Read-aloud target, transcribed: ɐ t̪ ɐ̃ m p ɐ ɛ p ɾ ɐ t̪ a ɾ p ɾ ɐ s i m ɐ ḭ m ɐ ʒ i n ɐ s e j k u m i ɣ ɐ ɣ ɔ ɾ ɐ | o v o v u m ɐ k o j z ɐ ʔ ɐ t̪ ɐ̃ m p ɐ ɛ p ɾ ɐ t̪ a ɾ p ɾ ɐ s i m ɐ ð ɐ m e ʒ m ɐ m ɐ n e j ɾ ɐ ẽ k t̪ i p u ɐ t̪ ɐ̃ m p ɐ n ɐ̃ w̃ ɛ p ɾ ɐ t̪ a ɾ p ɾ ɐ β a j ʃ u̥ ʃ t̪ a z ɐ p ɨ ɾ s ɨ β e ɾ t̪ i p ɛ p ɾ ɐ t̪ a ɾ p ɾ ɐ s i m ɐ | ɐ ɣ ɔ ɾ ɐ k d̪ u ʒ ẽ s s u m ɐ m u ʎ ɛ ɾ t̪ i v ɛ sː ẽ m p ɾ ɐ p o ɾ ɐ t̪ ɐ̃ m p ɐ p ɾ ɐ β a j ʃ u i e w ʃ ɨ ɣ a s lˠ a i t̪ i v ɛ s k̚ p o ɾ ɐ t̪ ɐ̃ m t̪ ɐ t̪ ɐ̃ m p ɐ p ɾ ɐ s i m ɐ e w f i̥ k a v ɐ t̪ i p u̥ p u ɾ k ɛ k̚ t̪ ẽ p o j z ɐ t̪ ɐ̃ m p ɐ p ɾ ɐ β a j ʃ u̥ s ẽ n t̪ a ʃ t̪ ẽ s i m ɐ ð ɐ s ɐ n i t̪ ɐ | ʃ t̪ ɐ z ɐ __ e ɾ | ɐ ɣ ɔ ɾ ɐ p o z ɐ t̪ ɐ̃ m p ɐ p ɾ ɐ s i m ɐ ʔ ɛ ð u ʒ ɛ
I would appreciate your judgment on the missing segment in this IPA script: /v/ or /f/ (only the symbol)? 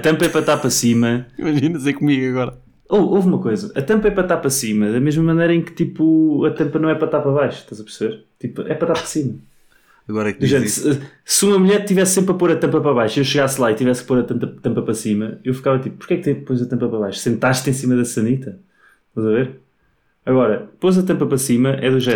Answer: v